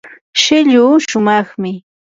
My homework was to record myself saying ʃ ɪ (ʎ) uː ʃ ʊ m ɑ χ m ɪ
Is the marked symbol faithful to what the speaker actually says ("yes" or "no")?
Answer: yes